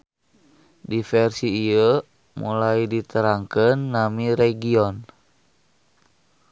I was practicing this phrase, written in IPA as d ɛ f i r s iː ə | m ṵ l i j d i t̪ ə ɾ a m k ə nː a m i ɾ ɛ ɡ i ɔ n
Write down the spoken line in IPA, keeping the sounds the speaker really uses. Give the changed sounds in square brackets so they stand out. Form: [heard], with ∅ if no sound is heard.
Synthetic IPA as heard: d [i] f [ɛ] r s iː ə | m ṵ l [a] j d i t̪ ə ɾ a [ŋ] k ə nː a m i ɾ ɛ ɡ i ɔ n